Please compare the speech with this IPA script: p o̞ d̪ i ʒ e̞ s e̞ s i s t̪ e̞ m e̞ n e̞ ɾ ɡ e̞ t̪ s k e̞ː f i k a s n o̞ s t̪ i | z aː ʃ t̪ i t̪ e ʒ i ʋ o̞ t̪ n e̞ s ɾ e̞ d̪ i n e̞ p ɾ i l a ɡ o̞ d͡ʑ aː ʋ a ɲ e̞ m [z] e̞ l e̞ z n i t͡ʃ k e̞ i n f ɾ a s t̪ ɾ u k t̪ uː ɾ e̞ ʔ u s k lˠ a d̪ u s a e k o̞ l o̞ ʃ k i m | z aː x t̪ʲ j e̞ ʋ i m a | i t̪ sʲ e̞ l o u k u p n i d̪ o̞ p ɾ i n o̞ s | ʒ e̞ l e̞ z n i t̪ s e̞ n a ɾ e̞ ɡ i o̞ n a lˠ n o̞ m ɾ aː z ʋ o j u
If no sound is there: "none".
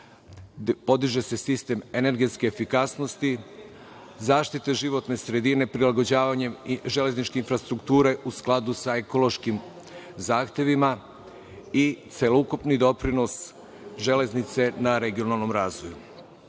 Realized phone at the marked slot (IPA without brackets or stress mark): ʒ